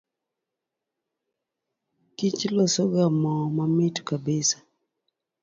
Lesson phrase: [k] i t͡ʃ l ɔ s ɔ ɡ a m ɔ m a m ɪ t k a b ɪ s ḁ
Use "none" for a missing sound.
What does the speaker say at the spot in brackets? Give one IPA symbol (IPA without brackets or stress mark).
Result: k